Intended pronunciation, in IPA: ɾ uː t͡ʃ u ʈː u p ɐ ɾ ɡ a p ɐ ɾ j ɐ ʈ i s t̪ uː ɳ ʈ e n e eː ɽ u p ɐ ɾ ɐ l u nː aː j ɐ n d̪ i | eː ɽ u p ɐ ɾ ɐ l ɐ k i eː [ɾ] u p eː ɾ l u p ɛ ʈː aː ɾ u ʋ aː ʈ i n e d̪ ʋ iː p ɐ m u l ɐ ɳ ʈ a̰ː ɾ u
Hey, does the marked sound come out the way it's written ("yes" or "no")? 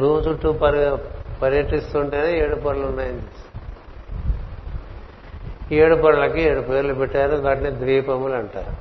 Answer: no